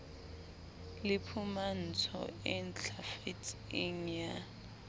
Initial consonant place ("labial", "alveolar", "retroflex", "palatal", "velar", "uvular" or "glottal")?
alveolar